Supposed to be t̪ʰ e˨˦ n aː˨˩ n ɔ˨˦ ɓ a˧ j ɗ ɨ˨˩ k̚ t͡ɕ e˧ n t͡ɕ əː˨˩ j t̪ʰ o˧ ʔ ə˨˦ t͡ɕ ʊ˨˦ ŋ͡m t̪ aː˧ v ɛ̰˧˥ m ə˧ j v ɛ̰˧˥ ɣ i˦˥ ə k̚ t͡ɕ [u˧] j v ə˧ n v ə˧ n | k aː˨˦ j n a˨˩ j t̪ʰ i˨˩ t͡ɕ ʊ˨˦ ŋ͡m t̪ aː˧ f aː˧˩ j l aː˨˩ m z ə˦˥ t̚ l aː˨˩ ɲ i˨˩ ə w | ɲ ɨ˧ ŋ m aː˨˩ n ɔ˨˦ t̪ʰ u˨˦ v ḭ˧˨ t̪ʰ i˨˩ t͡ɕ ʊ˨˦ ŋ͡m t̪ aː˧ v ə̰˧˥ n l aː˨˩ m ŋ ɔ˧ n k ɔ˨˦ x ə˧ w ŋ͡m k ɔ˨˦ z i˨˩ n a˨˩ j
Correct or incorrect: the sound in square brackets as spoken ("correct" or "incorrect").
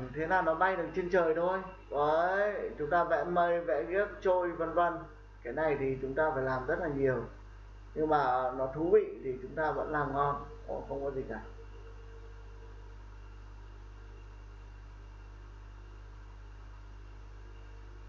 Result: incorrect